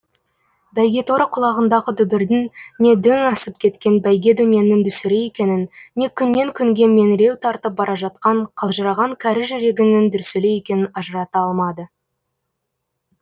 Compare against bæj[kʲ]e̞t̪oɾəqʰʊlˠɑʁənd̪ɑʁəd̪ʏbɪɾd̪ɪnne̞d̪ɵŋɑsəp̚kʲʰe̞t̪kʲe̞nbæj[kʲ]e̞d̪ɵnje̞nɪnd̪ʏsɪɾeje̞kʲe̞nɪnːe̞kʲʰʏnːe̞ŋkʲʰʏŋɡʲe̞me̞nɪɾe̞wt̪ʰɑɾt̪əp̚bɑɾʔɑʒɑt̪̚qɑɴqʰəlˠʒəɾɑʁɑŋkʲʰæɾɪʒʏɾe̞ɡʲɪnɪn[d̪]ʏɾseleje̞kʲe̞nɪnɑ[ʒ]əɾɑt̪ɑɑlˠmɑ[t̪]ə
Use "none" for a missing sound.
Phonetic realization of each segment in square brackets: ɡʲ, ɡʲ, d̪, ʒ, d̪

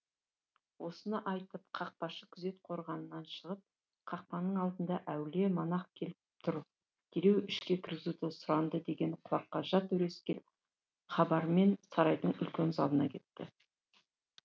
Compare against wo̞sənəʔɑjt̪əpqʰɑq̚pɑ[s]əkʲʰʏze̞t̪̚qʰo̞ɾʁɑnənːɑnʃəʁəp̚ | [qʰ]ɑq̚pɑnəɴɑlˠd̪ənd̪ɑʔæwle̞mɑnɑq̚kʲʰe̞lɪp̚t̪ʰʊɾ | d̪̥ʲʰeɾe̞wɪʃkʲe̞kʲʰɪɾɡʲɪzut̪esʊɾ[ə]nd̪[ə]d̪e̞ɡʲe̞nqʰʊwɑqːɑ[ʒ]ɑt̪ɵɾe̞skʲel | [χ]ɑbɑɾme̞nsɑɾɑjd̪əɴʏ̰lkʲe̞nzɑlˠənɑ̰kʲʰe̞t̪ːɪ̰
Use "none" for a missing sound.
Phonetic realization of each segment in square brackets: ʃ, qʰ, ɑ, ə, ʒ, χ

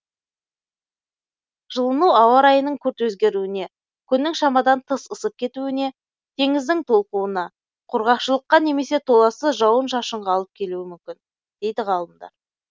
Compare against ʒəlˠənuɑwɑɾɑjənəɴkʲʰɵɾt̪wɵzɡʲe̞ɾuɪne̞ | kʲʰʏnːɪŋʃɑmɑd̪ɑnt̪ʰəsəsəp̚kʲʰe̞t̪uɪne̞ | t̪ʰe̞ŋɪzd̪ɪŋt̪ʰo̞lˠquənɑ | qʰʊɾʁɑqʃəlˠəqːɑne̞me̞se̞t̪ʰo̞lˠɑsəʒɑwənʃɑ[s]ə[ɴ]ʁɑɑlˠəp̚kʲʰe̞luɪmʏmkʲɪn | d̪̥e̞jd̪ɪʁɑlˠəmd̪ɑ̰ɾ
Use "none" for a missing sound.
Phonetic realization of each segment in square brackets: ʃ, ɴ

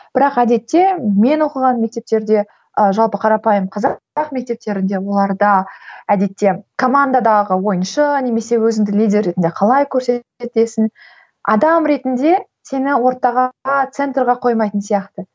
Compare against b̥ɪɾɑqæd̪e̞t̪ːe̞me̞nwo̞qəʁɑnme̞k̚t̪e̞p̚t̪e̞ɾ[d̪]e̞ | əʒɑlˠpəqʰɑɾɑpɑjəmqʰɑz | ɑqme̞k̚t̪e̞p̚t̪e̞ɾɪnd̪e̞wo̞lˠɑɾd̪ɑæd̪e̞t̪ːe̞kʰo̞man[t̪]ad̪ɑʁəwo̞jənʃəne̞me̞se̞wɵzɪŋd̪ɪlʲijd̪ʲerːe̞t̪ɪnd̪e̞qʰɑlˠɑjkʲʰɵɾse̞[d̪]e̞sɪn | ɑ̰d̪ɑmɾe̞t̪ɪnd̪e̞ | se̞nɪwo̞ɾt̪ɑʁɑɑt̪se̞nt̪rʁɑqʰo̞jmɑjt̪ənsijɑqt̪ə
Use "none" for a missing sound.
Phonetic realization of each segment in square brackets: d̪, d̪, t̪

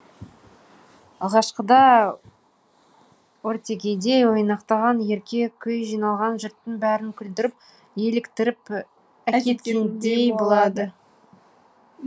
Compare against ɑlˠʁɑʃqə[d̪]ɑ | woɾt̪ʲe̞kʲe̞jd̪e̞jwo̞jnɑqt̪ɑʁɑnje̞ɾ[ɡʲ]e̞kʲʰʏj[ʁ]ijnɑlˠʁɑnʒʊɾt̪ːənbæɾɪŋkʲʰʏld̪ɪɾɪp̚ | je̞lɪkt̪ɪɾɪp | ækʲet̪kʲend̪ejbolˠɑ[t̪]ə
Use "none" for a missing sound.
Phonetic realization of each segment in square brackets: d̪, kʲ, ʒ, d̪

